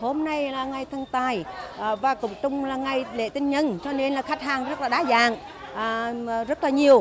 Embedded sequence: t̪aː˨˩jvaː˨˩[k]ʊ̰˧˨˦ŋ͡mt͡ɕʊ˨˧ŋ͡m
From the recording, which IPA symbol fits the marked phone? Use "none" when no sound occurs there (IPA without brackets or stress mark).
k